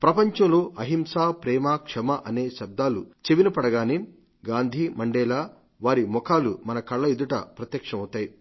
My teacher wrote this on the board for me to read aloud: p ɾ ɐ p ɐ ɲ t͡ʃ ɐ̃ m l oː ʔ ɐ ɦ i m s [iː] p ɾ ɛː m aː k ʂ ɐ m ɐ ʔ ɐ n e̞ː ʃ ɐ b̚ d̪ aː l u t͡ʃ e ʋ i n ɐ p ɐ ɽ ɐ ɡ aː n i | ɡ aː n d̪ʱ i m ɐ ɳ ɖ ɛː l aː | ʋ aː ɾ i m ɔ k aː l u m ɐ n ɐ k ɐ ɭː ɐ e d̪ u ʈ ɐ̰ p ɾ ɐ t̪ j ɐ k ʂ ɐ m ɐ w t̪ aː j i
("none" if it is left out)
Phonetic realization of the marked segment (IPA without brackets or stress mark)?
aː